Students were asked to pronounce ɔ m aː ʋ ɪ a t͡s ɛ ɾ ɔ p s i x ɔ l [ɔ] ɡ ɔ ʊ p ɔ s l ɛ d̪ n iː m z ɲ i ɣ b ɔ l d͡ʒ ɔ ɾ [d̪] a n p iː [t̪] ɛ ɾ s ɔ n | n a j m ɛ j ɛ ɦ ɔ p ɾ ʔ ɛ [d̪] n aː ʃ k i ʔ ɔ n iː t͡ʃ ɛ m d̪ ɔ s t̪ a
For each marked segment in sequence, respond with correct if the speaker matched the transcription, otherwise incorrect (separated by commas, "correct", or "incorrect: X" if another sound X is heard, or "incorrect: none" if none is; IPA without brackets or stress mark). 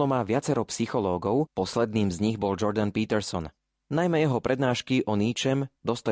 incorrect: ɔː, correct, correct, correct